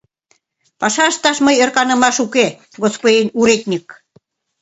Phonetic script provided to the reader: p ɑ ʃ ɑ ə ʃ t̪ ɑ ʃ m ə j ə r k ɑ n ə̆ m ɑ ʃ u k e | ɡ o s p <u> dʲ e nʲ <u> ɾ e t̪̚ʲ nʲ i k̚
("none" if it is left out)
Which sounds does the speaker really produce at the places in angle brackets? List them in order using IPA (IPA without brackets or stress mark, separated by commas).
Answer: o, u